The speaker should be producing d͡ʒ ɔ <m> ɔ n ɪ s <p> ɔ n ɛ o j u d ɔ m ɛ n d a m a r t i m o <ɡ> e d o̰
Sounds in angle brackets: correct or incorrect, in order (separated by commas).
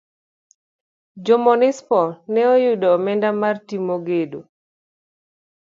correct, correct, correct